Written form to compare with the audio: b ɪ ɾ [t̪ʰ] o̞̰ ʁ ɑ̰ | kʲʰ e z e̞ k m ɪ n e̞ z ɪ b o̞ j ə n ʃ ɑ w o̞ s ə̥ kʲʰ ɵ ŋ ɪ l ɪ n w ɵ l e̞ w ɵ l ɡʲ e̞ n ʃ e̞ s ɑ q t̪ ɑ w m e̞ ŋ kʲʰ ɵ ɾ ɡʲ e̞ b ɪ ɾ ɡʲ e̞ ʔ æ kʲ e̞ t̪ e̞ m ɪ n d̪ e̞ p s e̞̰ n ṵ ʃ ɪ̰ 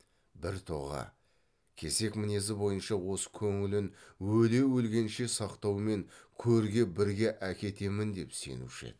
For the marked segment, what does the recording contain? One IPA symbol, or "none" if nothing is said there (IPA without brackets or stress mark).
t̪ʰ